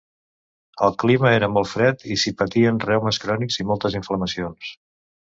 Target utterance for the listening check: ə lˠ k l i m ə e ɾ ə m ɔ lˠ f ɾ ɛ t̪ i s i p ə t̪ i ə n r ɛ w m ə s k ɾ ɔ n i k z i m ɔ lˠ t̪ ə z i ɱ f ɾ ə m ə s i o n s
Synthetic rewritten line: ə lˠ k l i m ə e ɾ ə m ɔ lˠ f ɾ ɛ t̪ i s i p ə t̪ i ə n r ɛ w m ə s k ɾ ɔ n i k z i m ɔ lˠ t̪ ə z i ɱ f l ə m ə s i o n s